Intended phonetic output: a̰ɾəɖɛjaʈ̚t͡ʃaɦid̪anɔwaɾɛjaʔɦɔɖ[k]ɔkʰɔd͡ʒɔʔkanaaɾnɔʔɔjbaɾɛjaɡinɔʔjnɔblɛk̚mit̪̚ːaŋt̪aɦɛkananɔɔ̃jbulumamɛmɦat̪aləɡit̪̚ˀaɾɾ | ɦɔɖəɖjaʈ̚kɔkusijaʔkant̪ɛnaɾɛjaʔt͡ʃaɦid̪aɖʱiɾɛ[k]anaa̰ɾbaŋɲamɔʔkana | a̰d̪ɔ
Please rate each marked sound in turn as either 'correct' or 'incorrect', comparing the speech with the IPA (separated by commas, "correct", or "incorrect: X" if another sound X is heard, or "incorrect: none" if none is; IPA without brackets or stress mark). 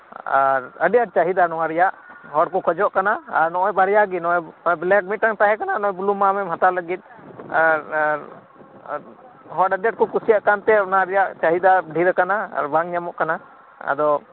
correct, correct